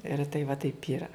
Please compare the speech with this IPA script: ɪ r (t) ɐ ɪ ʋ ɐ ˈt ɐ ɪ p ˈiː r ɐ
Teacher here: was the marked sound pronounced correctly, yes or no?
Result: yes